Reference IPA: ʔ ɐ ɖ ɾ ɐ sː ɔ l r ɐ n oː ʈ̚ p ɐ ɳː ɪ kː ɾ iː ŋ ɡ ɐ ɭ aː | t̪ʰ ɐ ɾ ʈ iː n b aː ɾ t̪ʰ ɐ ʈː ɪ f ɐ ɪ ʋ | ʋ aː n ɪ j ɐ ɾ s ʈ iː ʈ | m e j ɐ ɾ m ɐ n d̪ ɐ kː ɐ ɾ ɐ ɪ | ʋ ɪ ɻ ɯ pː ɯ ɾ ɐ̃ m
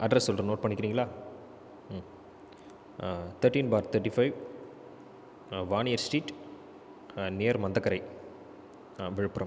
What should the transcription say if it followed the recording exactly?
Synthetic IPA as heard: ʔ ɐ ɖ ɾ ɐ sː ɔ l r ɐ n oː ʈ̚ p ɐ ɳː ɪ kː ɾ iː ŋ ɡ ɐ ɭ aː | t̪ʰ ɐ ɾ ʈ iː n b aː ɾ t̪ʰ ɐ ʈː i f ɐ ɪ ʋ | ʋ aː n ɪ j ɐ ɾ s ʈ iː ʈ | n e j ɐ ɾ m ɐ n d̪ ɐ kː ɐ ɾ ɐ ɪ | ʋ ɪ ɻ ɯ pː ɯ ɾ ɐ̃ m